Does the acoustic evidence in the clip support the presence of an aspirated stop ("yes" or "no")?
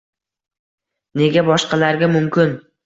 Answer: no